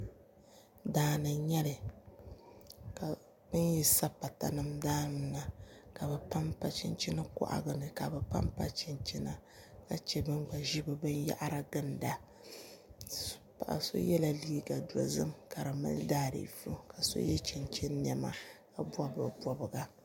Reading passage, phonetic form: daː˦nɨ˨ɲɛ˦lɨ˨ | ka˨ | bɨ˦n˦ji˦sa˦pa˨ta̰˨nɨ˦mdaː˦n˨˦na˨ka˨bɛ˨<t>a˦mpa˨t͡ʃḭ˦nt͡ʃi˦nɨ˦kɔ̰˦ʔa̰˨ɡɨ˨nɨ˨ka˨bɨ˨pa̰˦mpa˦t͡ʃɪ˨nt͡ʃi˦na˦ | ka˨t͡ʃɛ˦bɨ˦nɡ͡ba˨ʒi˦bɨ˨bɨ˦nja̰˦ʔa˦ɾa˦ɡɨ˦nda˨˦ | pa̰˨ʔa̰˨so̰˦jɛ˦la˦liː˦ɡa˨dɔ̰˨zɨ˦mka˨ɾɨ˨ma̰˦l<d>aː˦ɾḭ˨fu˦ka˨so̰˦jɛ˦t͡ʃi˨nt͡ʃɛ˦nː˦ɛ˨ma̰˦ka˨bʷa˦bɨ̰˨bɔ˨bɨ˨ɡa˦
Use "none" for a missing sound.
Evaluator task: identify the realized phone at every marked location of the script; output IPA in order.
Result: p, d

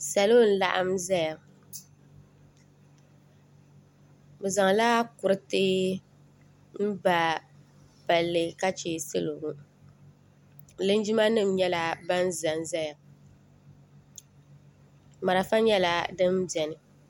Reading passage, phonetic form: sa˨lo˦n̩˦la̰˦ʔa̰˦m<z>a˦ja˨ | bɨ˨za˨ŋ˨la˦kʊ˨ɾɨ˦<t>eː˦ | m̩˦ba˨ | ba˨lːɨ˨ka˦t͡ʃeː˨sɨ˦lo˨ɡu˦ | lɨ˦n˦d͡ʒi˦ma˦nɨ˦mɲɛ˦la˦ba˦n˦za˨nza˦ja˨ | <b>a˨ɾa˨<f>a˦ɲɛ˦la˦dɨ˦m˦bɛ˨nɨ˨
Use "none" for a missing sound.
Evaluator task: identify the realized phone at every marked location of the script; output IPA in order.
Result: z, t, m, f

